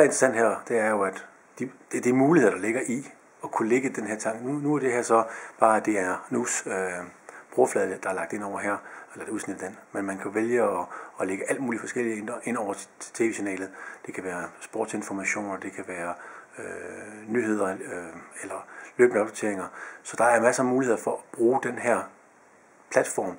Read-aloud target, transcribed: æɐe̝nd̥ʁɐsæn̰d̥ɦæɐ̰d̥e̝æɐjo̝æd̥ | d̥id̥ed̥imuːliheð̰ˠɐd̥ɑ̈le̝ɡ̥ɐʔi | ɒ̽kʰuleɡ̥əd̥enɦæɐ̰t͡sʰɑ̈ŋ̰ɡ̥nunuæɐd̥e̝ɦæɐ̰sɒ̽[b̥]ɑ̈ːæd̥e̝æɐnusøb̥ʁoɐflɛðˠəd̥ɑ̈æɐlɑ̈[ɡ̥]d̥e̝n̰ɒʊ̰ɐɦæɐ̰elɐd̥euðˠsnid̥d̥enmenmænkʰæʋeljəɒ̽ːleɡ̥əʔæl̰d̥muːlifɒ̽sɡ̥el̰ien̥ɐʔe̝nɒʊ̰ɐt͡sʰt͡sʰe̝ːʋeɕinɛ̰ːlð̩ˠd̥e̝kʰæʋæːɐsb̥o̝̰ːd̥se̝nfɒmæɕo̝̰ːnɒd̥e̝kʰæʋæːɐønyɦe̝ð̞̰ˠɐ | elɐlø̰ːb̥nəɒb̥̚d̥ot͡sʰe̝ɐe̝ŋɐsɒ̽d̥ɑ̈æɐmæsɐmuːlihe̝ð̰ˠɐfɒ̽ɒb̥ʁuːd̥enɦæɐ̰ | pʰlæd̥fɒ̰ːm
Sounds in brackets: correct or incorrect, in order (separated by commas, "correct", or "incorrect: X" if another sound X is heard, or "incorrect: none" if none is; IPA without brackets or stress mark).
correct, correct